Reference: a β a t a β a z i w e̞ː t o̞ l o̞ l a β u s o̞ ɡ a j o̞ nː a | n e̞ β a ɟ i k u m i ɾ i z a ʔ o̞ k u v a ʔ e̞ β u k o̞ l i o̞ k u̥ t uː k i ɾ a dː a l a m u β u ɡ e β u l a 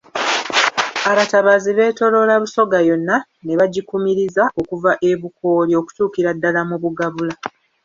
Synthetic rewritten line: a β a t a β a z i β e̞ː t o̞ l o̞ l a β u s o̞ ɡ a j o̞ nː a | n e̞ β a ɟ i k u m i ɾ i z a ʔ o̞ k u v a ʔ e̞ β u k o̞ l i o̞ k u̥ t uː k i ɾ a dː a l a m u β u ɡ a β u l a